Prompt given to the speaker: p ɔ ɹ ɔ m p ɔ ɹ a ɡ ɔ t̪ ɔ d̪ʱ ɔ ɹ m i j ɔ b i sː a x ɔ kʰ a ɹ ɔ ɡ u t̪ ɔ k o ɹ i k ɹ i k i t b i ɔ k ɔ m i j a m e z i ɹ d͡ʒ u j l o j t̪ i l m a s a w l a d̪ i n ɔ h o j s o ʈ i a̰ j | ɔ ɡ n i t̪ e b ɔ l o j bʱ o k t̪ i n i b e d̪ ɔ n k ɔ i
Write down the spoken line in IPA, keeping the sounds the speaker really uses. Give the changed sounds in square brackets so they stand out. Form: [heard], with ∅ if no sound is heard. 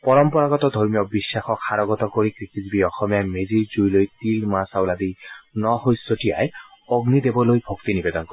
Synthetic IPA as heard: p ɔ ɹ ɔ m p ɔ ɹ a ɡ ɔ t̪ ɔ d̪ʱ ɔ ɹ m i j ɔ b i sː a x ɔ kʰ a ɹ ɔ ɡ [ɔ] t̪ ɔ k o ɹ i k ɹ i k i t b i ɔ [x] ɔ m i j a m e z i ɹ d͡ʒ u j l o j t̪ i l m a s a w l a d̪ i n ɔ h o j s o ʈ i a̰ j | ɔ ɡ n i [d̪] e b ɔ l o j bʱ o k t̪ i n i b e d̪ ɔ n k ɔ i